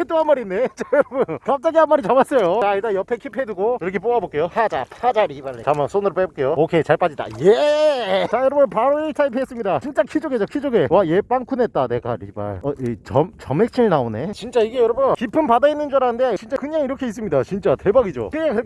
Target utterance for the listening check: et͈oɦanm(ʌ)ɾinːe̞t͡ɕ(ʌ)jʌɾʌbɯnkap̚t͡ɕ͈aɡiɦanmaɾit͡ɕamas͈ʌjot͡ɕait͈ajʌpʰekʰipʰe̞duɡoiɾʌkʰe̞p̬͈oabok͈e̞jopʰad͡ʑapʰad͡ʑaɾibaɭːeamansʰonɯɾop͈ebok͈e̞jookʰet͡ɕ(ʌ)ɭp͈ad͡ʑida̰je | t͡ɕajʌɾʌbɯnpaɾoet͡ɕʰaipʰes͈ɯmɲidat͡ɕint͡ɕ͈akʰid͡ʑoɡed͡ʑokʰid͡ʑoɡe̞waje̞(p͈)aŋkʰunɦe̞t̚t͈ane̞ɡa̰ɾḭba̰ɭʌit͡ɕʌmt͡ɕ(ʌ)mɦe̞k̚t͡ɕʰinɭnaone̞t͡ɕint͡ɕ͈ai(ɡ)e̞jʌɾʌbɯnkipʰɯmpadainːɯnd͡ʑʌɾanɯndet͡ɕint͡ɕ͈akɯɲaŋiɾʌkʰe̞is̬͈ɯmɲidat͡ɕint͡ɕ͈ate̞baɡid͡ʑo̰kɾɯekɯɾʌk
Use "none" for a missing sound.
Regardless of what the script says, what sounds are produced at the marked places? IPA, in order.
a, a, a, p͈, ʌ, ɡ

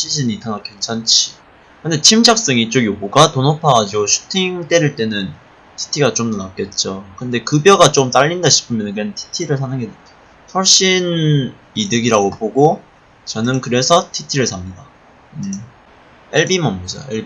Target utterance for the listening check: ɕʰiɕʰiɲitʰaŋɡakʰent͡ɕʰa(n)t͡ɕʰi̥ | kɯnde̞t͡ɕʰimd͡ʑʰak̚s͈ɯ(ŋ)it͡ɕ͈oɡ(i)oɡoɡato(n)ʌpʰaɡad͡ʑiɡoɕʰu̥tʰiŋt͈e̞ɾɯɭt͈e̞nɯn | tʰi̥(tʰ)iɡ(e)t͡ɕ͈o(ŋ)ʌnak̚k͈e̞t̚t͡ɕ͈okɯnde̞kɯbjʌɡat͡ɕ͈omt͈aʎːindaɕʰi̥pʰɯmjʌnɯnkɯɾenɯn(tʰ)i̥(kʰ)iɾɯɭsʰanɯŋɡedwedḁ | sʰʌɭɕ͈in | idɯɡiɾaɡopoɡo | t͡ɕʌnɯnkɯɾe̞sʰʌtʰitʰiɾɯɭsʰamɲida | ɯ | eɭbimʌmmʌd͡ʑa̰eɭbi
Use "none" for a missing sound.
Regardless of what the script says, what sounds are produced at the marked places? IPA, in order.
n, ŋ, j, n, tʰ, a, m, tʰ, tʰ

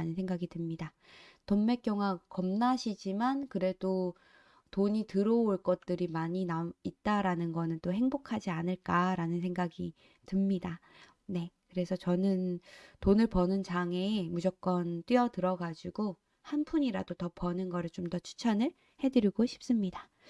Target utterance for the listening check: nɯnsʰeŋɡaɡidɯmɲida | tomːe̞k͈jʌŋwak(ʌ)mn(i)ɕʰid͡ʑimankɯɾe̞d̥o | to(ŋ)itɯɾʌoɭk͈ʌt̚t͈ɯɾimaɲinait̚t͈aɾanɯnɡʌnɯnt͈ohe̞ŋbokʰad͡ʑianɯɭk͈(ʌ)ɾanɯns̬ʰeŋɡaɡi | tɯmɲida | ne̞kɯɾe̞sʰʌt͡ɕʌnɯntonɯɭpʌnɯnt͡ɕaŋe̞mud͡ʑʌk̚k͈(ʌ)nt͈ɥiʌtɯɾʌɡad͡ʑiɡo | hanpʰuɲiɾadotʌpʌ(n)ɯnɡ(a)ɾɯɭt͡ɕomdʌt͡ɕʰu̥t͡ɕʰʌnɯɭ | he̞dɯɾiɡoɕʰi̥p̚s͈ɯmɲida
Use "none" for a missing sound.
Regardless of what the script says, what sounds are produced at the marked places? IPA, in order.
ʌ, a, ɲ, a, ʌ, n, ʌ

